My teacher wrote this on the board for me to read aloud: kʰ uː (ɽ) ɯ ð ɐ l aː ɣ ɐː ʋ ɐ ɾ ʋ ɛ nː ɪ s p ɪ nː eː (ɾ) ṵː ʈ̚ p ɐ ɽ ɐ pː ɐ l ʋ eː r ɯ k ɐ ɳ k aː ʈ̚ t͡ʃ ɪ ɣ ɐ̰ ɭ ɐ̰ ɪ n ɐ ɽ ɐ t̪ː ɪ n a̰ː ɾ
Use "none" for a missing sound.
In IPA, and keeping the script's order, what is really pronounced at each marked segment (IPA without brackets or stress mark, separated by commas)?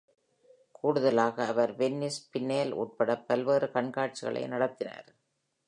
ɽ, l